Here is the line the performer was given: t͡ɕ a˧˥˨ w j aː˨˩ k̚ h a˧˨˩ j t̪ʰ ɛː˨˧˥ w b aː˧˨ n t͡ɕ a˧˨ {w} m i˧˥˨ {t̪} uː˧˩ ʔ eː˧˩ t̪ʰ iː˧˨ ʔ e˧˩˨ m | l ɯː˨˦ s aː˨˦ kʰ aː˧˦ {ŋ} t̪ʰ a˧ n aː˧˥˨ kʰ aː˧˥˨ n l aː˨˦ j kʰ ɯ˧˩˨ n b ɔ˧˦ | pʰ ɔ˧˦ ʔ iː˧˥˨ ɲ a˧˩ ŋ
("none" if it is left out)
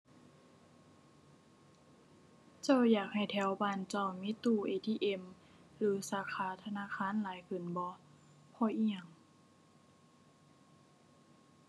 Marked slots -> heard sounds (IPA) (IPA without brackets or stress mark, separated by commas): w, t̪, none